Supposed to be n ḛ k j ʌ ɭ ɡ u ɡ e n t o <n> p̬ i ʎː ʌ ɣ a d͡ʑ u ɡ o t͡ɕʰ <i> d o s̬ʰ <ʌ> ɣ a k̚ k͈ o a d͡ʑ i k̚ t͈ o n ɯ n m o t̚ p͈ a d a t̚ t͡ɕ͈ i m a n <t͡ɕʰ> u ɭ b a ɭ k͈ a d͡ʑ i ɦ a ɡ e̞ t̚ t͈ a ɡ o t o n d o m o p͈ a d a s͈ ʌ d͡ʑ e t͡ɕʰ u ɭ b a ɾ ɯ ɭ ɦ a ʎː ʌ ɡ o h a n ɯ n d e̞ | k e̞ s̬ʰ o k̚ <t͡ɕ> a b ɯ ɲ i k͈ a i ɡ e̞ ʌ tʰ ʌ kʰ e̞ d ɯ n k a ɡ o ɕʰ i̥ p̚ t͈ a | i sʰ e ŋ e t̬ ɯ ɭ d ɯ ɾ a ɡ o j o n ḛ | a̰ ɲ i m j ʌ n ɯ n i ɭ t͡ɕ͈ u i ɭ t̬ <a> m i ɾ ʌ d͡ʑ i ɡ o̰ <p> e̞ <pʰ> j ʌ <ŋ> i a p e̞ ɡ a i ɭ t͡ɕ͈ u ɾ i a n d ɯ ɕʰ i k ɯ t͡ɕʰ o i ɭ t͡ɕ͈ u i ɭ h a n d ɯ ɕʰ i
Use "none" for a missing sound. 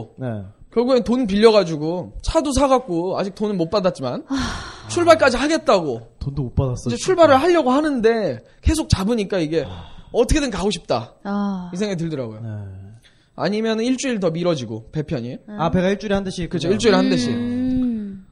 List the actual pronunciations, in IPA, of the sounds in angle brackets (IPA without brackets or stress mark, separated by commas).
n, a, a, t͡ɕʰ, t͡ɕ, ʌ, p, pʰ, ɲ